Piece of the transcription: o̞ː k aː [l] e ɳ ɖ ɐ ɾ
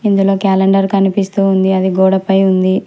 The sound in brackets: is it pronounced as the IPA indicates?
yes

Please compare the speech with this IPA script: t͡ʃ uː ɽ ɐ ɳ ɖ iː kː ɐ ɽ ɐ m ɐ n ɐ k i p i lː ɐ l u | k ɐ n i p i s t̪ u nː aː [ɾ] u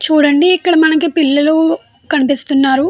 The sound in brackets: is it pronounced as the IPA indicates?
yes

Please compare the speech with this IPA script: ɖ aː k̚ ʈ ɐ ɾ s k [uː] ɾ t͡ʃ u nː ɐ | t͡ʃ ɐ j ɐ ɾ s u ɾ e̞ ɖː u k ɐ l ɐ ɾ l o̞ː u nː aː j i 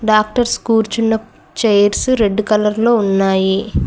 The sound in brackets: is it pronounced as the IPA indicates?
yes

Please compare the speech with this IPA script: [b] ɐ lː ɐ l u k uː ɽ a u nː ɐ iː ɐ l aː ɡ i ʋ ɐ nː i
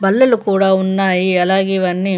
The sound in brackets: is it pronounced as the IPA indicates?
yes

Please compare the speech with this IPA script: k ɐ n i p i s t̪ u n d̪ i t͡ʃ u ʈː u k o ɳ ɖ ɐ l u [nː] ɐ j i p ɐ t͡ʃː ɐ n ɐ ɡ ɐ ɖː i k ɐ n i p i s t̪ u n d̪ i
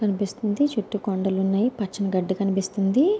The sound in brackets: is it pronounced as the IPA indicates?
yes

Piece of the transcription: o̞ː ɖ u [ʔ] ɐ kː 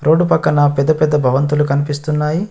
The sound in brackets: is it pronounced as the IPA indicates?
no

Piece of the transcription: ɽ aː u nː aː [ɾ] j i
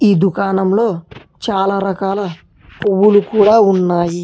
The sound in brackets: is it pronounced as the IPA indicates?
no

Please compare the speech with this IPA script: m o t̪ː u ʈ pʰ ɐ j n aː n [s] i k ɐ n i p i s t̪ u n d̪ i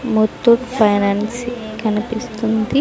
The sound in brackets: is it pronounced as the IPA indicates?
yes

